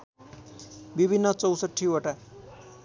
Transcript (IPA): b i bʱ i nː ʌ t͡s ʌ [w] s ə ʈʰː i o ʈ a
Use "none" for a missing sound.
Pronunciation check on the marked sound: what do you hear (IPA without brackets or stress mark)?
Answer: w